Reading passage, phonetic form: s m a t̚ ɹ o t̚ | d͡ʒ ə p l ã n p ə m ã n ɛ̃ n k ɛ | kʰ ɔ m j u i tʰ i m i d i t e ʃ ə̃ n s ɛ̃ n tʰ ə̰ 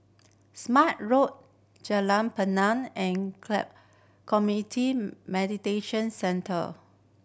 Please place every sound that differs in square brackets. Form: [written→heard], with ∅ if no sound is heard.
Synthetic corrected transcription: s m a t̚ ɹ o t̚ | d͡ʒ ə [p→∅] l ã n p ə [m→n] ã n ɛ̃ n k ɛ | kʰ ɔ m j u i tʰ i m [i→ɛ] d i t e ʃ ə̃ n s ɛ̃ n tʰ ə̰

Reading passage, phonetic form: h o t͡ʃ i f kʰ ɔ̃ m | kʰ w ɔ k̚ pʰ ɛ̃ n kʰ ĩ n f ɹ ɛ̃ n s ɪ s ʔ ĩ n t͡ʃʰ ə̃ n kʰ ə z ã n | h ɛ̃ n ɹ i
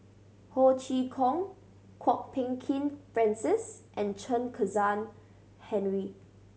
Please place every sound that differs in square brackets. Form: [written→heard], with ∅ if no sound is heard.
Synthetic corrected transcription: h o t͡ʃ i [f→∅] kʰ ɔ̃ [m→ŋ] | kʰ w ɔ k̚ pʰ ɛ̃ [n→ŋ] kʰ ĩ n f ɹ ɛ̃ n s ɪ s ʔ [ĩ→ɛ̃] n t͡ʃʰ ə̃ n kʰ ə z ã n | h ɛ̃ n ɹ i

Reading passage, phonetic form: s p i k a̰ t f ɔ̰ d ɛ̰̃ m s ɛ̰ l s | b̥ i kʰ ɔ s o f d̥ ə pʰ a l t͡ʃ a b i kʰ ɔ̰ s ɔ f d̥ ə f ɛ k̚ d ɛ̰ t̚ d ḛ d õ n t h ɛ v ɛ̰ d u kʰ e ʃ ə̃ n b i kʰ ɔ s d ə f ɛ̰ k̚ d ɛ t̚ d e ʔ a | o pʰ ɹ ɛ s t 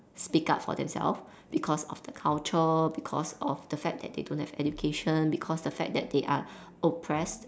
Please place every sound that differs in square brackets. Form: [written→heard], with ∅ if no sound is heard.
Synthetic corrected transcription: s p i k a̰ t f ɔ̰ d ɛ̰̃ m s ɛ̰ l [s→f] | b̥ i kʰ ɔ s [o→ɔ] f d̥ ə [pʰ→kʰ] a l t͡ʃ [a→ə] b i kʰ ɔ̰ s ɔ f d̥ ə f ɛ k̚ d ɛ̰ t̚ d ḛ d õ n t h ɛ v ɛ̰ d u kʰ e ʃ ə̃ n b i kʰ ɔ s d ə f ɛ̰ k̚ d ɛ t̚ d e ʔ a | o pʰ ɹ ɛ s t

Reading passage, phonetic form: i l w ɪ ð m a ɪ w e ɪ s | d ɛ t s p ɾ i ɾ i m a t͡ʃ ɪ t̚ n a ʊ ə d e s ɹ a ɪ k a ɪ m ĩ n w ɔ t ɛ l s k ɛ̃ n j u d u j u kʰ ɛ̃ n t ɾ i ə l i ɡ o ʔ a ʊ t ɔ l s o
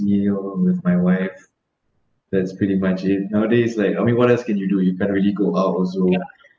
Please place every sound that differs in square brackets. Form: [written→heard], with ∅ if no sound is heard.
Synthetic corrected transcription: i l w ɪ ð m a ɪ w [e→a] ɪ [s→f] | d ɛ t s p [ɾ→ɹ] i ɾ i m a t͡ʃ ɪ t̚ n a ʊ ə d e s [ɹ→l] a ɪ k a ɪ m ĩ n w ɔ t ɛ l s k ɛ̃ n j u d u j u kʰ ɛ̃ n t [ɾ→ɹ] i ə l i ɡ o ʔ a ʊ t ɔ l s o

